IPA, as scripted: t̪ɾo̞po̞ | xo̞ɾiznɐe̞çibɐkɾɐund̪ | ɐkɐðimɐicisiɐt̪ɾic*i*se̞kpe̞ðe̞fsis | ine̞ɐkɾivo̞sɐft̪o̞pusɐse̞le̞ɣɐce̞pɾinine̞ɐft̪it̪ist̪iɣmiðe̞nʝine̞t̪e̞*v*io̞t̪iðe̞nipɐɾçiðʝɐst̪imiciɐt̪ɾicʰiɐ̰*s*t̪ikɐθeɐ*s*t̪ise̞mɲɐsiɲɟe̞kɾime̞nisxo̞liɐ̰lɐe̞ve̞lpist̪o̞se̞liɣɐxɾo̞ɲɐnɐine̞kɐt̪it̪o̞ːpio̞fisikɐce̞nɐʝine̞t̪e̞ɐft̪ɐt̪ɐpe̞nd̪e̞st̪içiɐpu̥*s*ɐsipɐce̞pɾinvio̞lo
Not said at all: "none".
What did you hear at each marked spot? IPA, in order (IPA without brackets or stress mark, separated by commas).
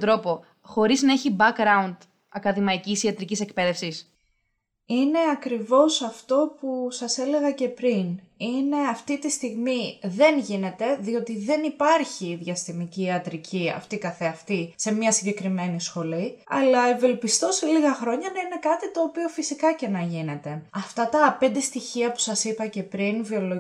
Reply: i, ð, f, f, s